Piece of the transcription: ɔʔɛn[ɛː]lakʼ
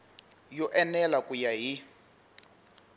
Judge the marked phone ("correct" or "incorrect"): incorrect